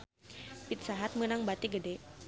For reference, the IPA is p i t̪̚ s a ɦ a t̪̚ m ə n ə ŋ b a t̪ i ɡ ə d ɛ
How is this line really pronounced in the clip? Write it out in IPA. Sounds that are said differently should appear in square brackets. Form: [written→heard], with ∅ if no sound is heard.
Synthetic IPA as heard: p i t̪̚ s a ɦ a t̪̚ m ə n [ə→a] ŋ b a t̪ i ɡ ə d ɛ